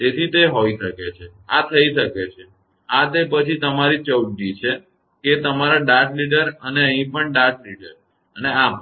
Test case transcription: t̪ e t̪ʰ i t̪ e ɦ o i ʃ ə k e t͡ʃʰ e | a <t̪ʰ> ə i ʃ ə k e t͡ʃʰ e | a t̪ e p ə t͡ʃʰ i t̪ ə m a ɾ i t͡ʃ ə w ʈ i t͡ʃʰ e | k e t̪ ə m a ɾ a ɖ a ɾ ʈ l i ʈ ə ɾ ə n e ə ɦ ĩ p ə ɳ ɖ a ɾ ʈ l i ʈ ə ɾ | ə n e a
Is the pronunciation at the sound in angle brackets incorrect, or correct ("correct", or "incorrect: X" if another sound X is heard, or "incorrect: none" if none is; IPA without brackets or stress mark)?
correct